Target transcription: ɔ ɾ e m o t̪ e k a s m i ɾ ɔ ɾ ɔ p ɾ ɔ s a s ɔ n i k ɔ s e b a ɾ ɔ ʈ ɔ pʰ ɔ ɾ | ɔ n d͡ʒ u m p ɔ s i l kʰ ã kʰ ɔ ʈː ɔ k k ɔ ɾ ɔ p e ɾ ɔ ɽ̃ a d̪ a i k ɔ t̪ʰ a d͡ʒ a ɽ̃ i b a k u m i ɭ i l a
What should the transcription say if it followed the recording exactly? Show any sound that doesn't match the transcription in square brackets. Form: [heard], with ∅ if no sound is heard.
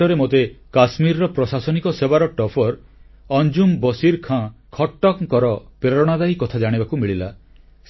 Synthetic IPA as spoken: ɔ ɾ e m o t̪ e k a s m i ɾ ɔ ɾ ɔ p ɾ ɔ s a s ɔ n i k ɔ s e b a ɾ ɔ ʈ ɔ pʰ ɔ ɾ | ɔ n d͡ʒ u m [b] ɔ s i [ɾ] kʰ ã kʰ ɔ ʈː ɔ k k ɔ ɾ ɔ p e ɾ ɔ ɽ̃ a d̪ a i k ɔ t̪ʰ a d͡ʒ a ɽ̃ i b a k u m i ɭ i l a